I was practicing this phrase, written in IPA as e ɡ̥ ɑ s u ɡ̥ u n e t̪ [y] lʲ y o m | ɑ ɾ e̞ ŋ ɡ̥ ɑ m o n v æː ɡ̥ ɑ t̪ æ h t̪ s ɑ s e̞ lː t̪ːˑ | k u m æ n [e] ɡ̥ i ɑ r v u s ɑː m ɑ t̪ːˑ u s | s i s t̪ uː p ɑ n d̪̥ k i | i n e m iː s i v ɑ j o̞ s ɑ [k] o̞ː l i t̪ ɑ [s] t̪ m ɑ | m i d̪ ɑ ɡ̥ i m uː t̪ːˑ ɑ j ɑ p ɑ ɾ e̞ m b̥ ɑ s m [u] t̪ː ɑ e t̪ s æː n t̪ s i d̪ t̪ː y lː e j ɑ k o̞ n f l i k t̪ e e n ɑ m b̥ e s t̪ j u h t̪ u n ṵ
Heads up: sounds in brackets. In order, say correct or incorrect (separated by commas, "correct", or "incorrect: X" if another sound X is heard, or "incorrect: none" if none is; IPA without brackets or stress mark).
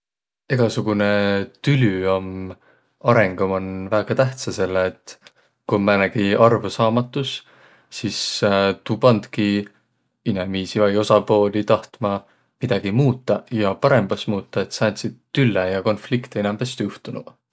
correct, incorrect: æ, incorrect: p, incorrect: h, incorrect: uː